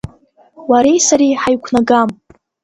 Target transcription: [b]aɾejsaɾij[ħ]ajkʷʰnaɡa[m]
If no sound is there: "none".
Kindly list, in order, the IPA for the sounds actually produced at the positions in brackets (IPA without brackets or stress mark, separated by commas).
w, ħ, m